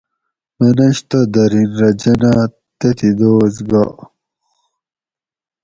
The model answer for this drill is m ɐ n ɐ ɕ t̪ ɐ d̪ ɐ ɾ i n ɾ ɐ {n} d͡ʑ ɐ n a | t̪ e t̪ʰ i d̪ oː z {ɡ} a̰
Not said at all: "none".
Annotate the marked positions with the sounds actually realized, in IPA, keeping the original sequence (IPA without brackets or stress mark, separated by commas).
none, ɡ